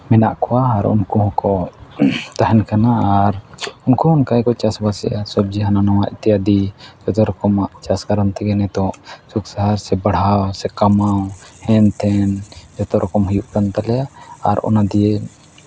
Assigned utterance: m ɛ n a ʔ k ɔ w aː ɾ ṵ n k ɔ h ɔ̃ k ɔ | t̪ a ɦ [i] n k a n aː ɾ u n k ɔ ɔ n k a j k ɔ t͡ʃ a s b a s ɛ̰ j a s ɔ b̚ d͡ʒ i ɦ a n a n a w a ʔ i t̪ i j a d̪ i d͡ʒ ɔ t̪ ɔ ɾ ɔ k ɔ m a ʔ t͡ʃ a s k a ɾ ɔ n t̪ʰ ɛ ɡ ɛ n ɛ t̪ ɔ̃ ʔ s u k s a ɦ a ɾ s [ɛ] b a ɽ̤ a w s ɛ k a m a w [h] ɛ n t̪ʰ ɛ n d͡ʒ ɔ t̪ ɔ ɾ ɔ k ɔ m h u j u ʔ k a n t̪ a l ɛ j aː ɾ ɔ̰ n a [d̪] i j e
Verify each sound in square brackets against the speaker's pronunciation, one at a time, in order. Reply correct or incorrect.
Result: incorrect, correct, correct, correct

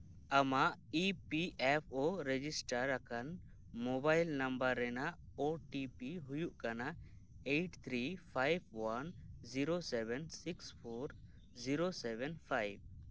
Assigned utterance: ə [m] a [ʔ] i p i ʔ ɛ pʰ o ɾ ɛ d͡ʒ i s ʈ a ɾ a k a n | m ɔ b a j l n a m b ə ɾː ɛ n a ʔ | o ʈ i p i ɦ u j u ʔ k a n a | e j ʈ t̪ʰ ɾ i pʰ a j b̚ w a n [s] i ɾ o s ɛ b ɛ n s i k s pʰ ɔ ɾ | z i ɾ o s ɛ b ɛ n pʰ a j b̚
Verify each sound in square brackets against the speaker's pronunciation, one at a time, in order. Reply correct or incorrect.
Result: correct, correct, incorrect

